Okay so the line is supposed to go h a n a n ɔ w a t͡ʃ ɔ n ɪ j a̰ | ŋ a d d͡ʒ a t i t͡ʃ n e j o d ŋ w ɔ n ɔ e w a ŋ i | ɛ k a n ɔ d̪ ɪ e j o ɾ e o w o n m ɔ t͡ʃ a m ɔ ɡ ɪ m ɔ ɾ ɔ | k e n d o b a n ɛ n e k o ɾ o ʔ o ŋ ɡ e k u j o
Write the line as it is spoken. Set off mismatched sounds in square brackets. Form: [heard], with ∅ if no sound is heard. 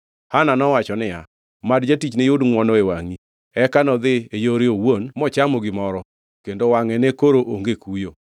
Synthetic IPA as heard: h a n a n ɔ w a t͡ʃ ɔ n ɪ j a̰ | [m] a d d͡ʒ a t i t͡ʃ n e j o d ŋ w ɔ n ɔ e w a ŋ i | ɛ k a n ɔ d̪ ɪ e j o ɾ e o w o n m ɔ t͡ʃ a m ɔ ɡ ɪ m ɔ ɾ ɔ | k e n d o [w] a [ŋ] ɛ n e k o ɾ o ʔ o ŋ ɡ e k u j o